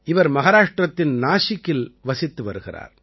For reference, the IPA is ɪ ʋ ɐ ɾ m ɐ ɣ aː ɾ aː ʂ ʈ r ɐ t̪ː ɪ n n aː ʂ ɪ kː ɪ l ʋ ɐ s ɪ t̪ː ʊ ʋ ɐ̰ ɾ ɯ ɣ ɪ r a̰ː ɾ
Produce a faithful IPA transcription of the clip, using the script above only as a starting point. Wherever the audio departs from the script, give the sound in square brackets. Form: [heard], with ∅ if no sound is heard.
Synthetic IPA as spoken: ɪ ʋ ɐ ɾ m ɐ ɣ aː ɾ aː ʂ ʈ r ɐ t̪ː ɪ n n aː ʂ ɪ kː ɪ l ʋ ɐ s ɪ t̪ː [ɯ] ʋ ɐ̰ ɾ ɯ ɣ ɪ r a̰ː ɾ